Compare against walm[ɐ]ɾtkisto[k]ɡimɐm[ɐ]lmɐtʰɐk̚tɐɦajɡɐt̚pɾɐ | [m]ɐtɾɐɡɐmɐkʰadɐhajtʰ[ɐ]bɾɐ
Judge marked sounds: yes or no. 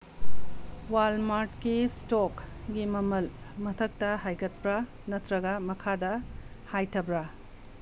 no, yes, yes, no, yes

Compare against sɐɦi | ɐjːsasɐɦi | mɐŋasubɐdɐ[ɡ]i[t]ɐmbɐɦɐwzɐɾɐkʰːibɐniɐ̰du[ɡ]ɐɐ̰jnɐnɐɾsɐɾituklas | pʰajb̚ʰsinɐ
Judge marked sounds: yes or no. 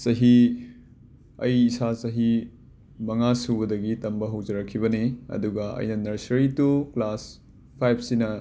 yes, yes, yes

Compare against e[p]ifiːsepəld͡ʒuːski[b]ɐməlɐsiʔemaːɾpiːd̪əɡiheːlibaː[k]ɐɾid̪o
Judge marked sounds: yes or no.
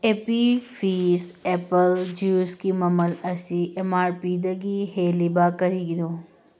yes, no, yes

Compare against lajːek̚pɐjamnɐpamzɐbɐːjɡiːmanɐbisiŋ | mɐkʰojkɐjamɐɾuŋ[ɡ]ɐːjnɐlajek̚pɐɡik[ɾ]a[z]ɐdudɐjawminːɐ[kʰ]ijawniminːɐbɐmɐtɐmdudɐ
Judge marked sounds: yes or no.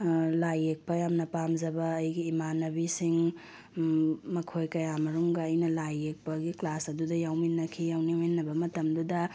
yes, no, no, yes

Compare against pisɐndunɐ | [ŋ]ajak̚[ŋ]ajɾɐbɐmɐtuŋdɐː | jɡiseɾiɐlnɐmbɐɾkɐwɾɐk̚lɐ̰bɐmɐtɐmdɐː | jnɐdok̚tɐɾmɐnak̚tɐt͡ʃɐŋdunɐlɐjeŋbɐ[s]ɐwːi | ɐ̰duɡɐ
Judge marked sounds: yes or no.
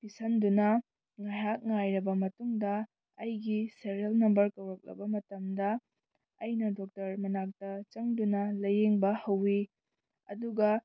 yes, yes, no

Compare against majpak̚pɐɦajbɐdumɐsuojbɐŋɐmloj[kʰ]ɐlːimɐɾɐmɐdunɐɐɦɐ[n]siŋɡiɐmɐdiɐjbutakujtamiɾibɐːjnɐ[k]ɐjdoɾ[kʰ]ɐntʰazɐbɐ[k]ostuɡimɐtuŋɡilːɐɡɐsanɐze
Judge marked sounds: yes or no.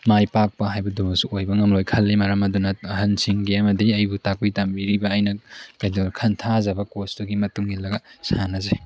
yes, yes, yes, yes, yes

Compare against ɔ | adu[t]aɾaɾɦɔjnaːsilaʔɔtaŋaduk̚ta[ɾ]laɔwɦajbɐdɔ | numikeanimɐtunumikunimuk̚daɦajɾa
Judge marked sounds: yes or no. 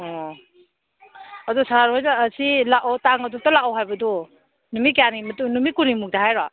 no, no

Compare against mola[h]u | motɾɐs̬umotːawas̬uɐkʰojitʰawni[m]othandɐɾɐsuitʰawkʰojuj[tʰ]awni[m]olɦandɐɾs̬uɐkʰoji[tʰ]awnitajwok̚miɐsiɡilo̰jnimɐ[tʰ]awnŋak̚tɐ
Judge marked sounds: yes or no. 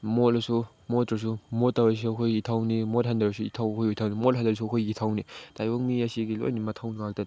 no, yes, yes, yes, yes, yes

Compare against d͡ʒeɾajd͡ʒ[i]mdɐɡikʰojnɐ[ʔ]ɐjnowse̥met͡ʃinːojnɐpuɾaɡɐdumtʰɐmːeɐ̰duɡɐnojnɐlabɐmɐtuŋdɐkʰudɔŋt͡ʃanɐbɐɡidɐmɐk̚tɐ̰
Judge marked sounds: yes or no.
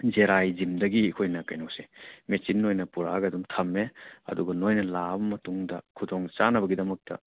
yes, no

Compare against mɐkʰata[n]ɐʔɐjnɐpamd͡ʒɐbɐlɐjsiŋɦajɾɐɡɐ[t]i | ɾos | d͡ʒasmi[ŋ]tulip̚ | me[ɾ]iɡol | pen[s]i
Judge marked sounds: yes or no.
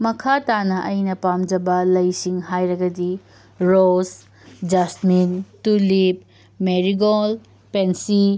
yes, no, no, yes, yes

